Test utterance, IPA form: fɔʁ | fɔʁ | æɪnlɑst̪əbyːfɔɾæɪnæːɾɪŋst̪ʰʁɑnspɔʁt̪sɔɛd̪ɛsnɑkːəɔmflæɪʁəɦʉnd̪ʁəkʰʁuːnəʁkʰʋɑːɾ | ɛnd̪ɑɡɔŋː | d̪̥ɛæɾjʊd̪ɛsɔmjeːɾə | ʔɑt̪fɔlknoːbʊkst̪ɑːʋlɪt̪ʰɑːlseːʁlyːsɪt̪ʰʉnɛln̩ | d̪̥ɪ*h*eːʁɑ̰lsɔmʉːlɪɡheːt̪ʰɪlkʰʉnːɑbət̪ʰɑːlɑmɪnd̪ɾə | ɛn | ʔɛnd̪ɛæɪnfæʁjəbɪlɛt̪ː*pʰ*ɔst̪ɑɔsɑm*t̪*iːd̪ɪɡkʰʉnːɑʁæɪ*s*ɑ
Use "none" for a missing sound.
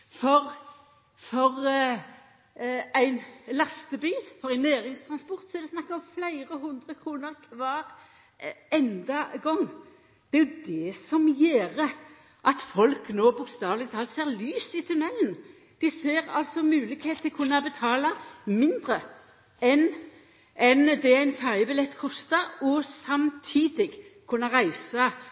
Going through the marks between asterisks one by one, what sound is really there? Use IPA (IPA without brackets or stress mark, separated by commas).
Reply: s, kʰ, t̪ʰ, s